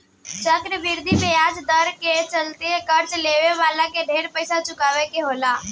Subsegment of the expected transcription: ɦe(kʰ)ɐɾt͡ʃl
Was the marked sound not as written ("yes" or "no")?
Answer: yes